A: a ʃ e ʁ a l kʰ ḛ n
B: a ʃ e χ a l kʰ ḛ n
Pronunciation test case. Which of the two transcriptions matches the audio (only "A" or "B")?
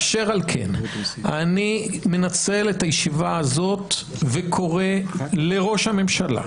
A